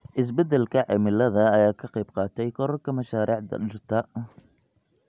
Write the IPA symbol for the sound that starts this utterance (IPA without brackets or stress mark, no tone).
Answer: ʔ